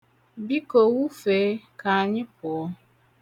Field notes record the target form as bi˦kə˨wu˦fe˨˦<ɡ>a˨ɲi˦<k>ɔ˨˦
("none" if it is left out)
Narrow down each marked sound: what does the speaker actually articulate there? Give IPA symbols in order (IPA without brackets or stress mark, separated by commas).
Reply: k, p